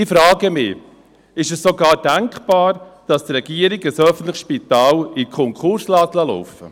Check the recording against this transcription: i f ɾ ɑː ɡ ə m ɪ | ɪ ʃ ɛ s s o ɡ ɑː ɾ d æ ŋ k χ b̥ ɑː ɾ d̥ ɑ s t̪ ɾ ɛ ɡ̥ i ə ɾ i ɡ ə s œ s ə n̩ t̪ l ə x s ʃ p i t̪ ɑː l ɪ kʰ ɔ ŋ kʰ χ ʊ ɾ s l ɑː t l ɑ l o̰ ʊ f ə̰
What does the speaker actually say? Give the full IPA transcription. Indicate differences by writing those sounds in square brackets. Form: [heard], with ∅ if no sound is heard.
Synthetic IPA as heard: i f ɾ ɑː ɡ ə m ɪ | ɪ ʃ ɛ s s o ɡ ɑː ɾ d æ ŋ k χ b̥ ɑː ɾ d̥ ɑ s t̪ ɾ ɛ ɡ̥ i ə ɾ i ɡ ə s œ [f] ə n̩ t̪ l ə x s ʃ p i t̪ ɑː l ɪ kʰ ɔ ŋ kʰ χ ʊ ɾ s l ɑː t l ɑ l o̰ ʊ f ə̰

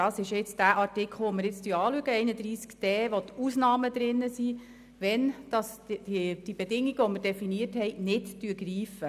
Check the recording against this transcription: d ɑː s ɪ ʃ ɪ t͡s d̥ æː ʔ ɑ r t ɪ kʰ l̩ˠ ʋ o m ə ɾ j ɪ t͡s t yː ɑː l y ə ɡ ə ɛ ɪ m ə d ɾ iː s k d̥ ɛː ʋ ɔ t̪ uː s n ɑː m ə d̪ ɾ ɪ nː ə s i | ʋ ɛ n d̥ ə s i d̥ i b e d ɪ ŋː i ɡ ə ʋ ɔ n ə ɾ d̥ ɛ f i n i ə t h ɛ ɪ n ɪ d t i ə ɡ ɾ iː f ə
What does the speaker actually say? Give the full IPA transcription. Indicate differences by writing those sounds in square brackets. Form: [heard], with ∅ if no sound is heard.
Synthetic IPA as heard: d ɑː s ɪ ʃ ɪ t͡s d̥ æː ʔ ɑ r t ɪ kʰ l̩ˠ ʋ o m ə ɾ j ɪ t͡s t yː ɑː l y ə ɡ ə ɛ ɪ [n] ə d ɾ iː s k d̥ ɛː ʋ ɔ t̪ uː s n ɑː m ə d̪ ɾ ɪ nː ə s i | ʋ ɛ n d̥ [ɑ] s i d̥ i b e d ɪ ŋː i ɡ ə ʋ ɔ [m] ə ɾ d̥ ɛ f i n i ə t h ɛ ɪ n ɪ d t [y] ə ɡ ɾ iː f ə

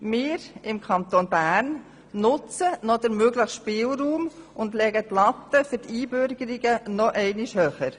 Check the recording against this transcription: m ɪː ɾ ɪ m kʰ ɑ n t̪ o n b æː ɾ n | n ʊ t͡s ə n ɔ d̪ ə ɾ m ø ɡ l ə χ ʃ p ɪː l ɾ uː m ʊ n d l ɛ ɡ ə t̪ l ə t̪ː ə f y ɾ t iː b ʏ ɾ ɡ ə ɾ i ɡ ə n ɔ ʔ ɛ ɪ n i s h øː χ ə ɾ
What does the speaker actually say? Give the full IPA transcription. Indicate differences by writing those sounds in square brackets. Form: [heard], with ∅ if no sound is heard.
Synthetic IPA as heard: m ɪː ɾ ɪ m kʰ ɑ n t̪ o n b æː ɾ n | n ʊ t͡s ə n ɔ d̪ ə ɾ m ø ɡ l ə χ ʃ p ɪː l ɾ uː m ʊ n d l ɛ ɡ ə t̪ l [ɑ] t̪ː ə f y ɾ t iː b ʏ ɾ ɡ ə ɾ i ɡ ə n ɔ ʔ ɛ ɪ n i [ʃ] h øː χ ə ɾ

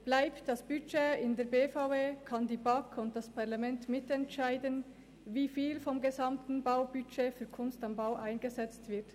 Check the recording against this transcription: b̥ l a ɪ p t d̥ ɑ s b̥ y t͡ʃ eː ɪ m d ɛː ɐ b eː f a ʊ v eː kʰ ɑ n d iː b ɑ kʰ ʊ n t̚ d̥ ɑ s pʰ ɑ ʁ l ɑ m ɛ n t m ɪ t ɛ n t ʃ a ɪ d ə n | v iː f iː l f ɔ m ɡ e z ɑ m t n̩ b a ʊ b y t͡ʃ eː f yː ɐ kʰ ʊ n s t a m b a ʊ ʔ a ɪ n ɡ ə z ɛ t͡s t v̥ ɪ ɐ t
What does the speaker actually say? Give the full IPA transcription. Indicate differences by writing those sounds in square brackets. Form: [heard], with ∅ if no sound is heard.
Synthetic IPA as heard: b̥ l a ɪ p t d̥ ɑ s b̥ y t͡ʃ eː ɪ [n] d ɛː ɐ b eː f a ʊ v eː kʰ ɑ n d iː b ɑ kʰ ʊ n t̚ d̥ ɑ s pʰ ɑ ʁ l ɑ m ɛ n t m ɪ t ɛ n t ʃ a ɪ d ə n | v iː f iː l f ɔ m ɡ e z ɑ m t n̩ b a ʊ b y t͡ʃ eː f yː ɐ kʰ ʊ n s t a m b a ʊ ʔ a ɪ n ɡ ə z ɛ t͡s t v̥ ɪ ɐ t

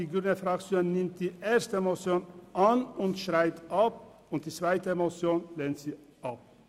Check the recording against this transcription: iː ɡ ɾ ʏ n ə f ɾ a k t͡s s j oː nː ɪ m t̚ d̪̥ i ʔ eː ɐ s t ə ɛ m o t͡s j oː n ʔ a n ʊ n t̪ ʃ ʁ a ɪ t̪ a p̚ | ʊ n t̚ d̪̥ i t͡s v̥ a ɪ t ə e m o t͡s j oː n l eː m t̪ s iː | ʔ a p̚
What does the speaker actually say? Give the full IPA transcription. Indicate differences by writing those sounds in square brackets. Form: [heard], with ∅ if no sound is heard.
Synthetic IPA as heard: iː ɡ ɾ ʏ n ə f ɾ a k t͡s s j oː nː ɪ m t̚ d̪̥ [iː] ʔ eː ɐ s t ə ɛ m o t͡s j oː n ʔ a n ʊ n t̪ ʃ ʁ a ɪ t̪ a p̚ | ʊ n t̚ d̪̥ [iː] t͡s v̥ a ɪ t ə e m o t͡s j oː n l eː [n] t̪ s iː | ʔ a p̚

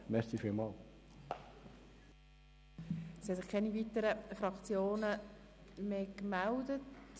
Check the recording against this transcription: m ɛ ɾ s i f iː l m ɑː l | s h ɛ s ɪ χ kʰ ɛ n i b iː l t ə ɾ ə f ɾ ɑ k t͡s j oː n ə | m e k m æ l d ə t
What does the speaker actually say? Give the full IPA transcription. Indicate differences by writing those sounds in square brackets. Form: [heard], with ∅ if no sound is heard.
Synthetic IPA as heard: m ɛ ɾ s i f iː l m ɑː l | s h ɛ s ɪ χ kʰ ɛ n i [v] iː [∅] t ə ɾ ə f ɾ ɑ k t͡s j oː n ə | m e k m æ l d ə t

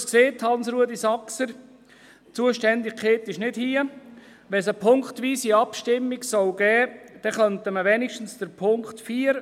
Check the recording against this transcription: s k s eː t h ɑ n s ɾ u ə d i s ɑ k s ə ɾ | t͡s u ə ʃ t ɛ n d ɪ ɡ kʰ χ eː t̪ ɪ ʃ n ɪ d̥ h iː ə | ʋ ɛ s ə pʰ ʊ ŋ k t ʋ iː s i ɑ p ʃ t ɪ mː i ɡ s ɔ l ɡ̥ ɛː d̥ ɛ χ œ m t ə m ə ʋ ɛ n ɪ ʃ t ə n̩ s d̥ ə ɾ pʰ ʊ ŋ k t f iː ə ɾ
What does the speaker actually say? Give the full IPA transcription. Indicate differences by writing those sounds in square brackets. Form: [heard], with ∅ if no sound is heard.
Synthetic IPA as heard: s k s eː t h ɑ n s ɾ u ə d i s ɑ k s ə ɾ | t͡s u ə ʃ t ɛ n d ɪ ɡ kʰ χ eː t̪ ɪ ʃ n ɪ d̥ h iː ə | ʋ ɛ s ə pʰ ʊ ŋ k t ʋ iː s i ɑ p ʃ t ɪ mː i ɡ s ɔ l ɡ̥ ɛː d̥ ɛ χ œ [n] t ə m ə ʋ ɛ n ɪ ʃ t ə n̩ s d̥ ə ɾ pʰ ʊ ŋ k t f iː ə ɾ

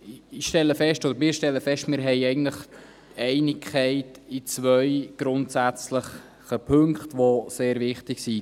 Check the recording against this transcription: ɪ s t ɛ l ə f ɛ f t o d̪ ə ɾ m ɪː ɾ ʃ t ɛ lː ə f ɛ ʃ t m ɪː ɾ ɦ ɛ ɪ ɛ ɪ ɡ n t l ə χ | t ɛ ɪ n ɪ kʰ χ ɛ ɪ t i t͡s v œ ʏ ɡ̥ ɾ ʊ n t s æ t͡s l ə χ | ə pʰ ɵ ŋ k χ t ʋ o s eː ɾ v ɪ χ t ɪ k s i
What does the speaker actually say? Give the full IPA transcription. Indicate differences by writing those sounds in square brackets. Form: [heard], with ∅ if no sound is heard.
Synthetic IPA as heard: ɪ [ʃ] t ɛ l ə f ɛ [ʃ] t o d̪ ə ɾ m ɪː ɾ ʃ t ɛ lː ə f ɛ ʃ t m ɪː ɾ ɦ ɛ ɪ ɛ ɪ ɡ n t l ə χ | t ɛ ɪ n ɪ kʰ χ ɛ ɪ t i t͡s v œ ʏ ɡ̥ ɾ ʊ n t s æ t͡s l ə χ | ə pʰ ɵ ŋ k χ t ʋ o s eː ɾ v ɪ χ t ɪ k s i

